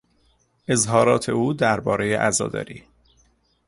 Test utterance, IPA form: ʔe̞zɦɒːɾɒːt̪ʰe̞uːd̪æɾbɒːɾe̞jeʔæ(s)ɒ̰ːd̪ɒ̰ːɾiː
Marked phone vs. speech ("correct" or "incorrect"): incorrect